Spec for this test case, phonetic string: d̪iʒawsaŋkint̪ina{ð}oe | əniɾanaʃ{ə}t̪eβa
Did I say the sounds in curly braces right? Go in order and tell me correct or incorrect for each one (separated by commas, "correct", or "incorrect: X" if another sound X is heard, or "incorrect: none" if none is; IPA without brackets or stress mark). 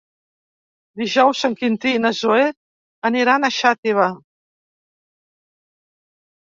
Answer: incorrect: z, incorrect: a